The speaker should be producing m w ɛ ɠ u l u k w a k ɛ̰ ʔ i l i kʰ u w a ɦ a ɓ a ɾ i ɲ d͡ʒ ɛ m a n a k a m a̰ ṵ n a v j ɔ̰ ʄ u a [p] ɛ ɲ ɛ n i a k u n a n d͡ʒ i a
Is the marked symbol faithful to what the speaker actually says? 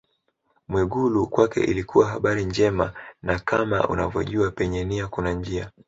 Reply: yes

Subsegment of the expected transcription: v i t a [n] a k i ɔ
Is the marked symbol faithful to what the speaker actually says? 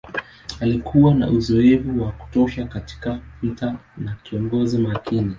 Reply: yes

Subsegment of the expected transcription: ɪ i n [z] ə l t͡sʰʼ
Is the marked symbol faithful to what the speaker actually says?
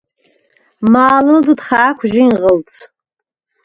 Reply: no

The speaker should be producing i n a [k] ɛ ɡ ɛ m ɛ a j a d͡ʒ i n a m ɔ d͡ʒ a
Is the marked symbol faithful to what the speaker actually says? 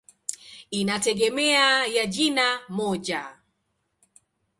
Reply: no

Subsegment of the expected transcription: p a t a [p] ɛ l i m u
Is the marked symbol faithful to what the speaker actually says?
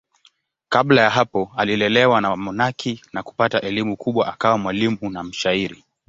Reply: no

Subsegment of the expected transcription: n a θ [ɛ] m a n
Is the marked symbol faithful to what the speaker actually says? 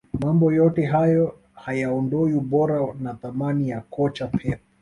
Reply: no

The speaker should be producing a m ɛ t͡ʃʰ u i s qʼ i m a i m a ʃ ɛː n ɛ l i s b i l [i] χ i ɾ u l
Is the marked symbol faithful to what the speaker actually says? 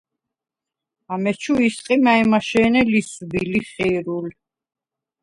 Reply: yes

